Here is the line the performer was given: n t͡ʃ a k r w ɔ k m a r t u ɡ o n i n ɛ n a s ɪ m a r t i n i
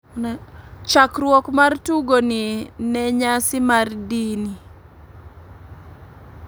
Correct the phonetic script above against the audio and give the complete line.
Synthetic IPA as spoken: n t͡ʃ a k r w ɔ k m a r t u ɡ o n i n ɛ ɲ a s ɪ m a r d i n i